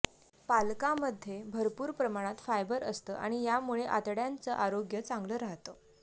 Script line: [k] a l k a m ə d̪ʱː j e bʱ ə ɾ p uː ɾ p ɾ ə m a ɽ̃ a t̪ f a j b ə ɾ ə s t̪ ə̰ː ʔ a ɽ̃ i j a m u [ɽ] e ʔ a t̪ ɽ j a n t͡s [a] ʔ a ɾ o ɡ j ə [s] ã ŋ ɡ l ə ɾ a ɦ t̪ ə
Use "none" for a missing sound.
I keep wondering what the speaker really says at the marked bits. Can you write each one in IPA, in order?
p, ɭ, ə, t͡s

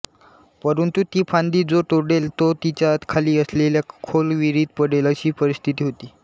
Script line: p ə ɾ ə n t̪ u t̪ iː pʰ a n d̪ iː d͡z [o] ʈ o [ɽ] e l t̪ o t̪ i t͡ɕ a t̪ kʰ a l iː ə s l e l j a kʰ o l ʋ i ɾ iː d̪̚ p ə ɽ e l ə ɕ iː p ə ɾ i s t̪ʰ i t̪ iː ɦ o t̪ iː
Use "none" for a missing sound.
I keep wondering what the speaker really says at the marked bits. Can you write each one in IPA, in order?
o, ɽ

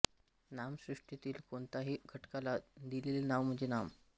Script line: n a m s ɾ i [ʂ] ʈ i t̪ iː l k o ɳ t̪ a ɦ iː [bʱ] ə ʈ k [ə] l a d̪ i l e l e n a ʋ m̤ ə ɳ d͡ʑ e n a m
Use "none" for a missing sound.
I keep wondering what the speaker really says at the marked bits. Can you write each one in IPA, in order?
ʂ, ɡʱ, a

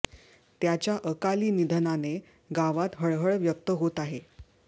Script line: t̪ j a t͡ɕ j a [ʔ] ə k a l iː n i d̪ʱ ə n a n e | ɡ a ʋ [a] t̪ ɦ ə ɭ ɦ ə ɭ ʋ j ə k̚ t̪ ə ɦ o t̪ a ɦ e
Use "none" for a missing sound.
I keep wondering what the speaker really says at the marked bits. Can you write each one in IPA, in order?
ʔ, a

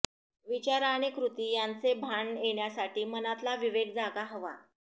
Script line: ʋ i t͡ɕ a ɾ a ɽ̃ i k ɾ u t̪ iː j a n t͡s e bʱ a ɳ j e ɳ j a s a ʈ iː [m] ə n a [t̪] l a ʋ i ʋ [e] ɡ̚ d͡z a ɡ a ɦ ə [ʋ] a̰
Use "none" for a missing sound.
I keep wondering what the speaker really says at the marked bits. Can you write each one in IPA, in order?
m, t̪, e, ʋ

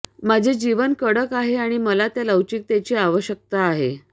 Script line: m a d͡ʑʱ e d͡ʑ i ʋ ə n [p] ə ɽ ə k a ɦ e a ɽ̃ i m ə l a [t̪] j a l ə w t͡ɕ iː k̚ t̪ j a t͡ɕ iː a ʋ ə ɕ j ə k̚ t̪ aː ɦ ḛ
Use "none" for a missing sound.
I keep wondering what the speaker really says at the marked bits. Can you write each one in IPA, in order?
k, t̪

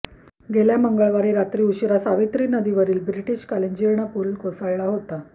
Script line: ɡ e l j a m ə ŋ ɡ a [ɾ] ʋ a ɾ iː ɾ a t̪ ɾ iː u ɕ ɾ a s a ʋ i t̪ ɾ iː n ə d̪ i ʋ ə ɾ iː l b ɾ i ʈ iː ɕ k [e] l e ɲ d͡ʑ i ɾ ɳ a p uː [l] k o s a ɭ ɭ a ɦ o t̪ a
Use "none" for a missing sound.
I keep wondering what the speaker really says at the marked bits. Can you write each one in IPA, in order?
ɭ, a, l

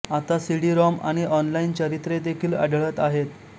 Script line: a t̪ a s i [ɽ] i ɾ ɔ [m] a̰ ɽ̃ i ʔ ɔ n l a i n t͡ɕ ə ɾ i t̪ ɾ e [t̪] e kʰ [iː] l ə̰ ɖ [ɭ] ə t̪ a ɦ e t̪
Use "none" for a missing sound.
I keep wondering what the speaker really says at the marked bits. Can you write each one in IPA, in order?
ɽ, m, d̪, iː, ɭ

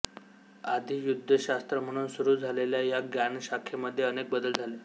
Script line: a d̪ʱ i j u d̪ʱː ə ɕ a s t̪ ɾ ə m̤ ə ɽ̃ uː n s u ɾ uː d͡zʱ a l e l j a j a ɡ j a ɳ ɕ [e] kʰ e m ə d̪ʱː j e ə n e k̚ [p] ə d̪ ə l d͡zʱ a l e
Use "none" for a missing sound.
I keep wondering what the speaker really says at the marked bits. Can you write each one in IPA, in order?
a, b

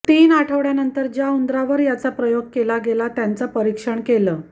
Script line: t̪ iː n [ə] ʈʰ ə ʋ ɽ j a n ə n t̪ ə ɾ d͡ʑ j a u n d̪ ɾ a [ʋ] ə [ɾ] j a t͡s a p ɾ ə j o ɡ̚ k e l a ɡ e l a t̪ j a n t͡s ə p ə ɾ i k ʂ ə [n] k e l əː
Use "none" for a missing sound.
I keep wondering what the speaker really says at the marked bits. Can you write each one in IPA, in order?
a, ʋ, ɾ, ɳ

